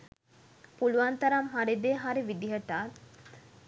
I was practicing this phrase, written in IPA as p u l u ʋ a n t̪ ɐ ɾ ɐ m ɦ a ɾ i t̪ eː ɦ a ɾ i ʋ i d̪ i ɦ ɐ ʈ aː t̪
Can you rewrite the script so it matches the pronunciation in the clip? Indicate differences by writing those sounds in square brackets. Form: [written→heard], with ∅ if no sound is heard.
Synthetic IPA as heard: p u l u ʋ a n t̪ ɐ ɾ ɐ m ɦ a ɾ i [t̪→d̪] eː ɦ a ɾ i ʋ i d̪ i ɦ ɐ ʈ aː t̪